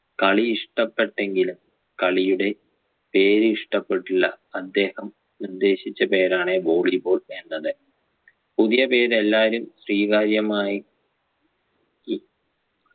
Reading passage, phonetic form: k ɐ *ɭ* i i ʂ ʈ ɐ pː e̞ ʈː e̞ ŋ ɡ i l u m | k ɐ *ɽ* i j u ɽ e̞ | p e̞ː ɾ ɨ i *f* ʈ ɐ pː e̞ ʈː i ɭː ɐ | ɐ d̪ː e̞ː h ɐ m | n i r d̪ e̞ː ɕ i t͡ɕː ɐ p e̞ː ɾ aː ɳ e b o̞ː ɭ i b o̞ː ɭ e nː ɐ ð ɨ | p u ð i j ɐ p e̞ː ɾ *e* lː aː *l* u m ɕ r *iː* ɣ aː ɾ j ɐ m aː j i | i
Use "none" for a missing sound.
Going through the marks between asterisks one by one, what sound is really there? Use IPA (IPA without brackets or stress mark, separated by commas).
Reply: ɭ, ɭ, ʂ, e, ɾ, iː